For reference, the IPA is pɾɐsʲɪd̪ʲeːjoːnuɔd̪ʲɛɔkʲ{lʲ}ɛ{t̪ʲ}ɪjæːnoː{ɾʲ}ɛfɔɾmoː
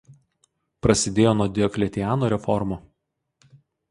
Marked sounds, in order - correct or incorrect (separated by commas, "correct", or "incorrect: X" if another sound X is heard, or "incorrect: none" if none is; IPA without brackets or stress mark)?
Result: correct, correct, correct